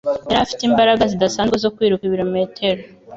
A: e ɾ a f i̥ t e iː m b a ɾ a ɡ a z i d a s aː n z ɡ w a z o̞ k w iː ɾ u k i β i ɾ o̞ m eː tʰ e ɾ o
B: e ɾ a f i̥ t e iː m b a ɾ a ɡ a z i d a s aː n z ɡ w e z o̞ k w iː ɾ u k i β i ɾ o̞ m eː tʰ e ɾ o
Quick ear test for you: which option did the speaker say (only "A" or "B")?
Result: B